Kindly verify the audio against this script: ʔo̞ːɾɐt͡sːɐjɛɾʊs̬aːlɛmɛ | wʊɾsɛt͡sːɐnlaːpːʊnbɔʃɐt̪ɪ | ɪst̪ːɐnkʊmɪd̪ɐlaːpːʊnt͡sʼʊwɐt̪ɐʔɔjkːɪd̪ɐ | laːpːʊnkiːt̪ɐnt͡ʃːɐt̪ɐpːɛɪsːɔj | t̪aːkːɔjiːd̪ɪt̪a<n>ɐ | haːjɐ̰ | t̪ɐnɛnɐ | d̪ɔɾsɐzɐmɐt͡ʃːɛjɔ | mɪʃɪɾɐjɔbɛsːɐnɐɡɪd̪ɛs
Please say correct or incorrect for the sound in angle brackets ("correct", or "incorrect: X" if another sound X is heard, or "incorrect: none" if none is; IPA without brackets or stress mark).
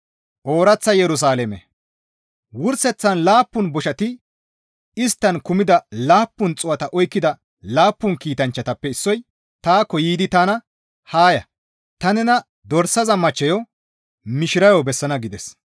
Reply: correct